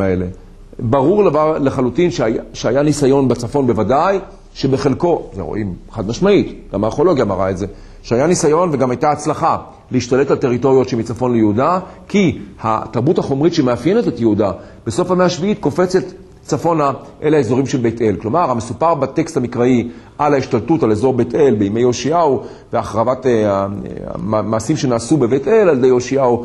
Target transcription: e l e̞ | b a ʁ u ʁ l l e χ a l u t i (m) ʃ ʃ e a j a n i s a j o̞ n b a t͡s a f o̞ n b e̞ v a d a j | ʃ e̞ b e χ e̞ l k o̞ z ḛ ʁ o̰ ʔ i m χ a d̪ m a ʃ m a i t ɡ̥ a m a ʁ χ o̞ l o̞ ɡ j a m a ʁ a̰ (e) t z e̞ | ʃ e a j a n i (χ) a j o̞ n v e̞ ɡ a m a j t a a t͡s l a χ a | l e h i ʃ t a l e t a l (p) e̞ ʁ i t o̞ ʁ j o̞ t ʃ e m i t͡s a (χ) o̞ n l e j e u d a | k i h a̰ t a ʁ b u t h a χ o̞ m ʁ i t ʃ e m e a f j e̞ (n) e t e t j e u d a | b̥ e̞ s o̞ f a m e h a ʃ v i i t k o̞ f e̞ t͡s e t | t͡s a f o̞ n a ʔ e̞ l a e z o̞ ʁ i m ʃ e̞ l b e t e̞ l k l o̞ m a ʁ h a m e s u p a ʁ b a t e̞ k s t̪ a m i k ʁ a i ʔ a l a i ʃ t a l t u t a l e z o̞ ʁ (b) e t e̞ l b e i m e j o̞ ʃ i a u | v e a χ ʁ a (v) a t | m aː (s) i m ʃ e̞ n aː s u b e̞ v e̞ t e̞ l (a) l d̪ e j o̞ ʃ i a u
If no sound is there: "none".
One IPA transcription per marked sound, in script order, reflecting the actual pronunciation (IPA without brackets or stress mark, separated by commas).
n, e, s, t, f, n, b, v, s, a